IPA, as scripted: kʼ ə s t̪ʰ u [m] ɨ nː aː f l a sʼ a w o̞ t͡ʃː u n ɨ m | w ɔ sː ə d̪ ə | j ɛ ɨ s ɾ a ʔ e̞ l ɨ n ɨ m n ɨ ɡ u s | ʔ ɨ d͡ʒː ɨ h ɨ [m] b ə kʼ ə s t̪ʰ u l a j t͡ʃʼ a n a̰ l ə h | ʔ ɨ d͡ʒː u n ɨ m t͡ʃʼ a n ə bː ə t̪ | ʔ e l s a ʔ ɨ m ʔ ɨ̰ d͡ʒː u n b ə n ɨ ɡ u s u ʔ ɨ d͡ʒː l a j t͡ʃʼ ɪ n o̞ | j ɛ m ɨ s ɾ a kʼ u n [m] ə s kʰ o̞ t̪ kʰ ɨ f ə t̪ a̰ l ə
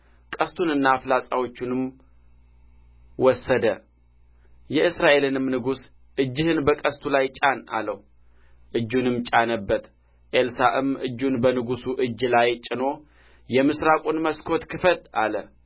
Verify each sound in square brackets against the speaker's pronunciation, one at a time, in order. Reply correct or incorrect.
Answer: incorrect, incorrect, correct

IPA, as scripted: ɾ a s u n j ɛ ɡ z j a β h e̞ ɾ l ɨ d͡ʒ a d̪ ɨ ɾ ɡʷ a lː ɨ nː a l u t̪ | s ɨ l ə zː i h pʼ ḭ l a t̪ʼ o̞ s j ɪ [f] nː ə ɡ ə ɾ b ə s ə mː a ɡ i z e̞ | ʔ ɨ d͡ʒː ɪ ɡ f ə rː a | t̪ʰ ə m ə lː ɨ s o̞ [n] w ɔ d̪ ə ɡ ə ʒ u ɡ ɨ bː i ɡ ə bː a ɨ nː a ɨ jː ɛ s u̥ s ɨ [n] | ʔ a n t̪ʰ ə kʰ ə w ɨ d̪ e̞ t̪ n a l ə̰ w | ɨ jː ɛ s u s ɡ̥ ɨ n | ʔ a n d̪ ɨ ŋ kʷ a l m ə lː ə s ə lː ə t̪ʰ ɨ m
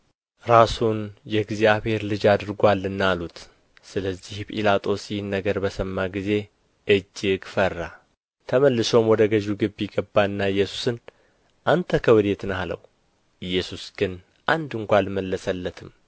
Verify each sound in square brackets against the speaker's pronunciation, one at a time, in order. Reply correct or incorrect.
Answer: incorrect, incorrect, correct

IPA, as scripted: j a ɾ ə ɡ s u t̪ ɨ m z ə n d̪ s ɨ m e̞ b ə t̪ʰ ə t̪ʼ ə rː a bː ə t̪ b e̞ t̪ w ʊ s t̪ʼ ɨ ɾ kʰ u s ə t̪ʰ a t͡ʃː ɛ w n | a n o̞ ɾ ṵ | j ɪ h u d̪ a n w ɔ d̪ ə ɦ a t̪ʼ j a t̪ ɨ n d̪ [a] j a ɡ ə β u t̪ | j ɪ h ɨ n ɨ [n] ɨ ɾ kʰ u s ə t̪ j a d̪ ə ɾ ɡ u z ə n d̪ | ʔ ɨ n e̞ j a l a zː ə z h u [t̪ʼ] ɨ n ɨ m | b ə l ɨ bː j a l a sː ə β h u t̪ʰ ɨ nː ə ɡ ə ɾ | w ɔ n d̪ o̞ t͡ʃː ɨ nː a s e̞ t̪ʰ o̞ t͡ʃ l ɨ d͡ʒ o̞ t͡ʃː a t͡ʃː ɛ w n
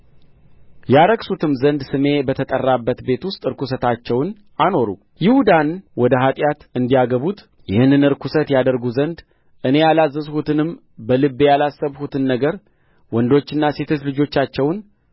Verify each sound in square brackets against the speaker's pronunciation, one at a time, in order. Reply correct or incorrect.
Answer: incorrect, correct, incorrect

